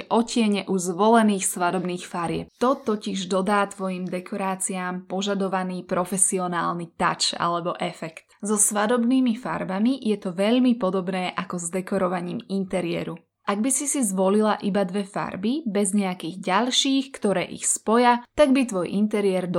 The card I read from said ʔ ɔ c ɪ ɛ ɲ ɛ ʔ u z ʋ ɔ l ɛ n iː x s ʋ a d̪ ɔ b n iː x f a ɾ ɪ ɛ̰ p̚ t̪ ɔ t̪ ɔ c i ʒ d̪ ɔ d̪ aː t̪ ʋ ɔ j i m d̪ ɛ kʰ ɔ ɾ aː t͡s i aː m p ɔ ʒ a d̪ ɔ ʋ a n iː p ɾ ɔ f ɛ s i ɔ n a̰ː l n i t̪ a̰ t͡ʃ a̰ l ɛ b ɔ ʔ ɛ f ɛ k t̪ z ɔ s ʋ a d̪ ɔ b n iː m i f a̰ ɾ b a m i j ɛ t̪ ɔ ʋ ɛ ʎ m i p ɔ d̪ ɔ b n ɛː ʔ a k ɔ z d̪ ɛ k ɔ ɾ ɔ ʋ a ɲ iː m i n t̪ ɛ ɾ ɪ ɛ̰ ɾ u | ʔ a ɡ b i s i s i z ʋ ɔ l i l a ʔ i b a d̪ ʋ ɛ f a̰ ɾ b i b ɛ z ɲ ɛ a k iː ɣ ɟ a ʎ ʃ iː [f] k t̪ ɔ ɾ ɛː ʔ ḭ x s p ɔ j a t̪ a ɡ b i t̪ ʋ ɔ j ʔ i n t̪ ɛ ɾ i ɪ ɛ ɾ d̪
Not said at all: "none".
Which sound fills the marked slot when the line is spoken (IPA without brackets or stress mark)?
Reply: x